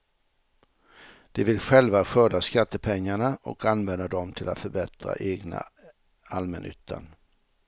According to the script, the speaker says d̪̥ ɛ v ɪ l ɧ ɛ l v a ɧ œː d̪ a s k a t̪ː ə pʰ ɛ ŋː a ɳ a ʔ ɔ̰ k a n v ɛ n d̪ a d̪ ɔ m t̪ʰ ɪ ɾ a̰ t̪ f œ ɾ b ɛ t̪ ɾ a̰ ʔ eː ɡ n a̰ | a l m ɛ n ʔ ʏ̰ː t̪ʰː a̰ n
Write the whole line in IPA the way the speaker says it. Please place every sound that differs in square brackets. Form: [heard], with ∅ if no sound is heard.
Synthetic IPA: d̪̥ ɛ v ɪ l ɧ ɛ l v a ɧ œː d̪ a s k a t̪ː ə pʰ ɛ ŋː a ɳ a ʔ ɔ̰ k a n v ɛ n d̪ a d̪ ɔ m t̪ʰ ɪ [l] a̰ t̪ f œ ɾ b ɛ t̪ ɾ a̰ ʔ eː ɡ n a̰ | a l m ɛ n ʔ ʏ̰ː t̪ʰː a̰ n